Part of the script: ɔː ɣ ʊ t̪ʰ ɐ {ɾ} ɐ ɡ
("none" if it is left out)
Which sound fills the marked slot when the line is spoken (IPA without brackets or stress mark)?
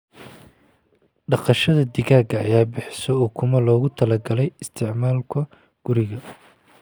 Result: l